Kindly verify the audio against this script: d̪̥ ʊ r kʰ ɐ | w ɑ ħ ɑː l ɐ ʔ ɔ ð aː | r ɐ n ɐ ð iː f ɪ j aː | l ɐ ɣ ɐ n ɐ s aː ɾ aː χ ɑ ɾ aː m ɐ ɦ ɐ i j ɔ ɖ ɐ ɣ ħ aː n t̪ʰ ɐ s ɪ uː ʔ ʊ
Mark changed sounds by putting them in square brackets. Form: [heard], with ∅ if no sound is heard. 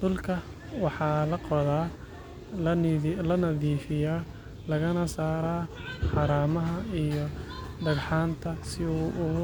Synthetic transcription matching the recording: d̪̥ ʊ [l] kʰ ɐ | w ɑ ħ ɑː l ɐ [q] ɔ ð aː | [l] ɐ n ɐ ð iː f ɪ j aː | l ɐ ɣ ɐ n ɐ s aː ɾ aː [ħ] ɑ ɾ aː m ɐ ɦ ɐ i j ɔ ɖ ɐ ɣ ħ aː n t̪ʰ ɐ s ɪ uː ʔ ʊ